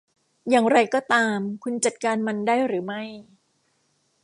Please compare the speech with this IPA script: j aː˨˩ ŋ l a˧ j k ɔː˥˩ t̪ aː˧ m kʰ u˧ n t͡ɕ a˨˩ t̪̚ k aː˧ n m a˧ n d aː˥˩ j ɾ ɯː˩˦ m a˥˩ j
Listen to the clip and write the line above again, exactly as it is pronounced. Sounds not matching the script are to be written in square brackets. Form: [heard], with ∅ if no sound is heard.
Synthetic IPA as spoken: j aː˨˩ ŋ [ɾ] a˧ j k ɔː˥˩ t̪ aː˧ m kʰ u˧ n t͡ɕ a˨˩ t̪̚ k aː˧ n m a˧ n d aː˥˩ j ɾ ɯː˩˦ m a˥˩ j